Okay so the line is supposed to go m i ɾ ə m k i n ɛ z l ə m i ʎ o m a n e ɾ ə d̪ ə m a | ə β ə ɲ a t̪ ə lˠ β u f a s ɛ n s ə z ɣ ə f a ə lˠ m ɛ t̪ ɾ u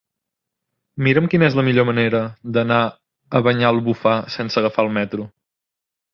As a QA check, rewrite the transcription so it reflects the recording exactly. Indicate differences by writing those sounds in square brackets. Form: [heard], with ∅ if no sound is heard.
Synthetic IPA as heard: m i ɾ ə m k i n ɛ z l ə m i ʎ o m [ə] n e ɾ ə d̪ ə [n] a | ə β ə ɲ a [∅] ə lˠ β u f a s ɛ n s ə [∅] ɣ ə f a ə lˠ m ɛ t̪ ɾ u